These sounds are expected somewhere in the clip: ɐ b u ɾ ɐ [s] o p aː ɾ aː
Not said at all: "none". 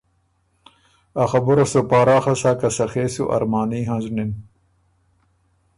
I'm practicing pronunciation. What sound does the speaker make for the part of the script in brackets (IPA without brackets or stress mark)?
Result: s